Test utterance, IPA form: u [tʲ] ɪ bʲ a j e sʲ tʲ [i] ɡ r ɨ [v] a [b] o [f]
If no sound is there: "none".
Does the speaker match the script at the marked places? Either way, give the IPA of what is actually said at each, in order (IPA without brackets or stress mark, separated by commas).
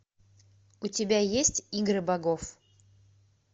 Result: tʲ, i, b, ɡ, f